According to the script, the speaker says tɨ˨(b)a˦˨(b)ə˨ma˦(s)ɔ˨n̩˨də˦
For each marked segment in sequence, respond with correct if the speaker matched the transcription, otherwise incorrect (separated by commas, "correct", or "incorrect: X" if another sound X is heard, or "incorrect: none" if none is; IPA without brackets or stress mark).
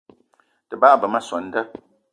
correct, correct, correct